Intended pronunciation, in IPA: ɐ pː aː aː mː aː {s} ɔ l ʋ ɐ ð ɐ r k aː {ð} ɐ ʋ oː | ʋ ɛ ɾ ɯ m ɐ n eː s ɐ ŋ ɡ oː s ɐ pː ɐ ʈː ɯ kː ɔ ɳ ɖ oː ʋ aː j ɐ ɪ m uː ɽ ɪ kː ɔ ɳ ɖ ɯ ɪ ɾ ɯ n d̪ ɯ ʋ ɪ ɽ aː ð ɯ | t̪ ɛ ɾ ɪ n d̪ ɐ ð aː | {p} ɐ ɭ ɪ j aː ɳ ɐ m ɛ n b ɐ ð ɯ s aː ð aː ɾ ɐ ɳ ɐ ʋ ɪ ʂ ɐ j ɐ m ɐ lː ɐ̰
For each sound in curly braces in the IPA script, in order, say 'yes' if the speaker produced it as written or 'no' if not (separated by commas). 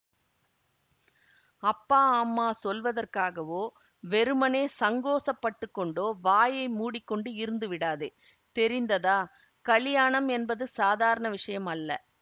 yes, no, no